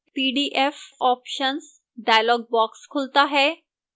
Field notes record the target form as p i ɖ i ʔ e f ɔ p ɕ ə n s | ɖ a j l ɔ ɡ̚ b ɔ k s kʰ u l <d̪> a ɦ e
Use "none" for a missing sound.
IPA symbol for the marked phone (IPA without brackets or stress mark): t̪